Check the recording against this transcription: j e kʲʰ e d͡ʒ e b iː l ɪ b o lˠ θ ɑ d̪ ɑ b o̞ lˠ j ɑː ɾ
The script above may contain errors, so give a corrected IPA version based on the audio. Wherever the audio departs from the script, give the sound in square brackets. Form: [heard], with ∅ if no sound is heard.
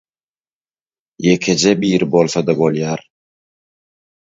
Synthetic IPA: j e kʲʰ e d͡ʒ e b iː [ɾ] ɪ b o lˠ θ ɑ d̪ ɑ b o̞ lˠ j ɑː ɾ